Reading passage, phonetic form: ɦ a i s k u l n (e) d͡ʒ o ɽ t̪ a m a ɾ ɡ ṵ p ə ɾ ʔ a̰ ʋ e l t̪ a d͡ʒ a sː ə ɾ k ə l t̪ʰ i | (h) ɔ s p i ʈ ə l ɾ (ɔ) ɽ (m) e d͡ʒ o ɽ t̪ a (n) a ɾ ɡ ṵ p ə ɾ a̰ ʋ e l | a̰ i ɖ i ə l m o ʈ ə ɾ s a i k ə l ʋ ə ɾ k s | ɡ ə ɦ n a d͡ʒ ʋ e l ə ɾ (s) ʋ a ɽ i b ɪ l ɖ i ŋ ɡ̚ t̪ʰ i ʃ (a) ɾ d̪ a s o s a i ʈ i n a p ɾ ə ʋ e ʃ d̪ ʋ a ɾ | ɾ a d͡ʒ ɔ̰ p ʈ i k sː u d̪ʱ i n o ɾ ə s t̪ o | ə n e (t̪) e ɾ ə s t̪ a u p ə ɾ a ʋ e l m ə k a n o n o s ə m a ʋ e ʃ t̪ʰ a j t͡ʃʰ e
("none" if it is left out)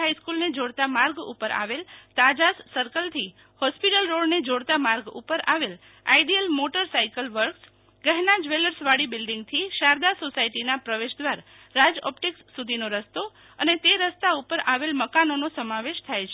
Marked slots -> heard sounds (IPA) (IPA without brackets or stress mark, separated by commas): e, h, o, n, m, s, a, t̪